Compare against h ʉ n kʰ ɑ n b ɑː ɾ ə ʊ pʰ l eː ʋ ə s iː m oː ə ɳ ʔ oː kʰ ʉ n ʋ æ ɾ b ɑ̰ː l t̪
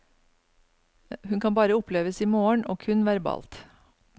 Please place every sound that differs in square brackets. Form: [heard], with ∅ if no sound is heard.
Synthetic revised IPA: h ʉ n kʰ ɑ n b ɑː ɾ ə ʊ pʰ l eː ʋ ə s iː m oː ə ɳ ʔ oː kʰ ʉ n ʋ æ ɾ b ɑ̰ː l t̪

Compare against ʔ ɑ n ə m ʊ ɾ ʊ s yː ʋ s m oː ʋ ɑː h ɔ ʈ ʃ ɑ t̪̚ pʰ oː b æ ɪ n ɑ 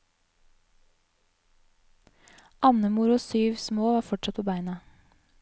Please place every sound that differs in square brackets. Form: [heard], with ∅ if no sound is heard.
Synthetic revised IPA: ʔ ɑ n ə m ʊ ɾ ʊ s yː ʋ s m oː ʋ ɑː [f] ɔ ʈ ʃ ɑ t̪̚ pʰ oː b æ ɪ n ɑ

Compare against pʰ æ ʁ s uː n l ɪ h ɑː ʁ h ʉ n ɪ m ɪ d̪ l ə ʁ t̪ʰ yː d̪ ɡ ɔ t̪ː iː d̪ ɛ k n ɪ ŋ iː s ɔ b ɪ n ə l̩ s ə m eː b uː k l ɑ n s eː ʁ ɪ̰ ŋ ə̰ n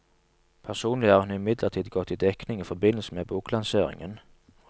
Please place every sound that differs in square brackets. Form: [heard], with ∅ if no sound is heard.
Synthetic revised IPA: pʰ æ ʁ s uː n l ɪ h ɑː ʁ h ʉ n ɪ m ɪ d̪ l ə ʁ t̪ʰ [iː] d̪ ɡ ɔ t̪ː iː d̪ ɛ k n ɪ ŋ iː [f] ɔ b ɪ n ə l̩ s ə m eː b uː k l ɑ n s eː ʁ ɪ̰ ŋ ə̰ n

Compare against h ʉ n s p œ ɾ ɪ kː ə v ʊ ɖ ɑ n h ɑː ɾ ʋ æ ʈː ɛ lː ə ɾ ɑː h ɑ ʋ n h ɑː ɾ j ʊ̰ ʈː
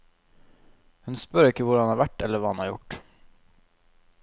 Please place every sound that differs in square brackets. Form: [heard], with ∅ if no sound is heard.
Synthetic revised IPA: h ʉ n s p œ ɾ ɪ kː ə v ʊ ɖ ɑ n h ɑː ɾ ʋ æ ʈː ɛ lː ə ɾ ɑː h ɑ [∅] n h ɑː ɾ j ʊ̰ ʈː

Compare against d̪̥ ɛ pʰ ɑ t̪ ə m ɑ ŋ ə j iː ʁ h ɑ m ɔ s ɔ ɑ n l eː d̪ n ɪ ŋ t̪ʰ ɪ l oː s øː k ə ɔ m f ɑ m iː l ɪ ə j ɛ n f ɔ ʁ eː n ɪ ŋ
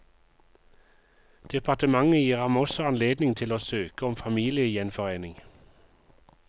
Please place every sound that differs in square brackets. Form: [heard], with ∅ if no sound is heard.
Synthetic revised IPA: d̪̥ ɛ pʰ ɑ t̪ ə m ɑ ŋ ə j iː ʁ h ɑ m ɔ s ɔ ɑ n l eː d̪ n ɪ ŋ t̪ʰ ɪ l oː s øː k ə ɔ m f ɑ m iː l ɪ ə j ɛ n f ɔ ʁ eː n ɪ ŋ

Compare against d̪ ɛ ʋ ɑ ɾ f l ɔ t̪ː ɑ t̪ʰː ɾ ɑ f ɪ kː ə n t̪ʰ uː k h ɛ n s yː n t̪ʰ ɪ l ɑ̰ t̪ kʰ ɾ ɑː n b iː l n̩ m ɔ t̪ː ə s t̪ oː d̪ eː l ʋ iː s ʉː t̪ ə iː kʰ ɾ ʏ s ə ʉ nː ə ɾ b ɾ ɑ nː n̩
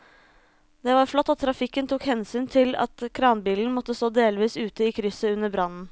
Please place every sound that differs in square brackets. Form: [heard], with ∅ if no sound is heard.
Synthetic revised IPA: d̪ ɛ ʋ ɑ ɾ f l ɔ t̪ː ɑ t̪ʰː ɾ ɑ f ɪ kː ə n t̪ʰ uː k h ɛ n s yː n t̪ʰ ɪ l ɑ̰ t̪ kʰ ɾ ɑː n b iː l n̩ m ɔ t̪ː ə s t̪ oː d̪ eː l ʋ iː s ʉː t̪ ə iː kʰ ɾ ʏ s ə ʉ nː ə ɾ b ɾ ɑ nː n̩

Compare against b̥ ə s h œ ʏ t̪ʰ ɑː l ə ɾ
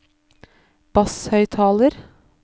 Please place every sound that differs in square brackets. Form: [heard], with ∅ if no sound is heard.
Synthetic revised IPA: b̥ [ɑ] s h œ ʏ t̪ʰ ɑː l ə ɾ

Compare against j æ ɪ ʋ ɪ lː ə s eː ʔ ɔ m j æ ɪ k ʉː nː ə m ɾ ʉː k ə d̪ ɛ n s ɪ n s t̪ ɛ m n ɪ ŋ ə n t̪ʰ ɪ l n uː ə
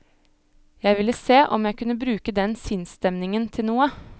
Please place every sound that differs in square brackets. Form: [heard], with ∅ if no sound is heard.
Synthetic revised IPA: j æ ɪ ʋ ɪ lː ə s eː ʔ ɔ m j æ ɪ k [ʉ] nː ə [b] ɾ ʉː k ə d̪ ɛ n s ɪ n s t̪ ɛ m n ɪ ŋ ə n t̪ʰ ɪ l n uː ə

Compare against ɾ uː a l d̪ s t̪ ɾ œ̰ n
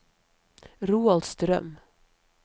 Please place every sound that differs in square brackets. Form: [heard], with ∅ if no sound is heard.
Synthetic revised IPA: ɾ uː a l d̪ s t̪ ɾ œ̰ [m]

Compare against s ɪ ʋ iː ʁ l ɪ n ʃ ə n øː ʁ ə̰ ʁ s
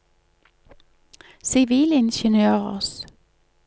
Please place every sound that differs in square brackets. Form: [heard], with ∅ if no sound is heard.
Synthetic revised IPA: s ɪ ʋ iː [∅] l ɪ n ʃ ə n øː ʁ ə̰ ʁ s

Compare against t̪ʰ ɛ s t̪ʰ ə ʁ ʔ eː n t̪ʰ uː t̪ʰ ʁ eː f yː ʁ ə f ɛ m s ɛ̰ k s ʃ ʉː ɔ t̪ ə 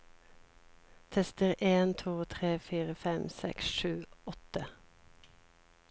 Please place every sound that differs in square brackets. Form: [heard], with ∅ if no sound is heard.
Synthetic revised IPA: t̪ʰ ɛ s [t̪] ə ʁ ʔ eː n t̪ʰ uː t̪ʰ ʁ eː f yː ʁ ə f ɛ m s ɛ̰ k s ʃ ʉː ɔ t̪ ə

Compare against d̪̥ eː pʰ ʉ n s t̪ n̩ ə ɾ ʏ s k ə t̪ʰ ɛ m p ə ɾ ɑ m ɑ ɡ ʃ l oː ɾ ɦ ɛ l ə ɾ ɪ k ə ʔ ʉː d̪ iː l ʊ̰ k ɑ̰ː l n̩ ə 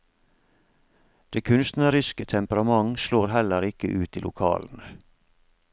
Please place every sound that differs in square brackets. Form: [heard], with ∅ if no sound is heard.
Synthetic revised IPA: d̪̥ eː [kʰ] ʉ n s t̪ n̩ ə ɾ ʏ s k ə t̪ʰ ɛ m p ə ɾ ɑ m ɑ [ŋ] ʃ l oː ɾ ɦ ɛ l ə ɾ ɪ k ə ʔ ʉː [t̪] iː l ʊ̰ [kʰ] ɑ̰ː l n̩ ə

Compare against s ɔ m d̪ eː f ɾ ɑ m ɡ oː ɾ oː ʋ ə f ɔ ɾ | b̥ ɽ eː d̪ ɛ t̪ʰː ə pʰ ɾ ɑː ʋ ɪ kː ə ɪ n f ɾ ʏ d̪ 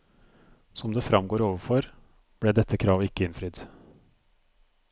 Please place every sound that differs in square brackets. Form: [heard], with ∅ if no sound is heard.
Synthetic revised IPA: s ɔ m d̪ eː f ɾ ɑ m ɡ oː ɾ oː ʋ ə f ɔ ɾ | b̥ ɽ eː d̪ ɛ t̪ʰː ə [kʰ] ɾ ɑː ʋ ɪ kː ə ɪ n f ɾ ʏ d̪

